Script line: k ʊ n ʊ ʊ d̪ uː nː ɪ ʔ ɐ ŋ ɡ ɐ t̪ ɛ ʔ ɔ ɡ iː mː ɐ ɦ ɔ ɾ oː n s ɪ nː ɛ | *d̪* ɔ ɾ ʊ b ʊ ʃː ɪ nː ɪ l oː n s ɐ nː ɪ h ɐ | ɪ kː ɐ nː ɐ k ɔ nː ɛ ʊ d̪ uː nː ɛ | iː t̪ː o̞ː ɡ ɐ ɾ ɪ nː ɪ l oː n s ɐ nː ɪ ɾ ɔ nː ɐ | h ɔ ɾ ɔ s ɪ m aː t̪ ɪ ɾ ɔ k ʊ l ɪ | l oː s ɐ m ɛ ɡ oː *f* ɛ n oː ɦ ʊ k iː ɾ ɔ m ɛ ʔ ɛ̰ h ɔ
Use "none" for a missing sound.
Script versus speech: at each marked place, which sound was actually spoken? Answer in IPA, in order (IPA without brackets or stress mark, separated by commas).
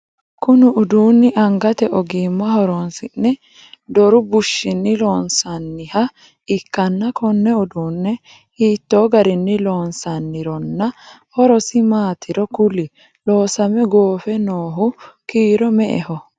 d̪, f